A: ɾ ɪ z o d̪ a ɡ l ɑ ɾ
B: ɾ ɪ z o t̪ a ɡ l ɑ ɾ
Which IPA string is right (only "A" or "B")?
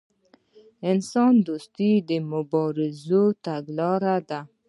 B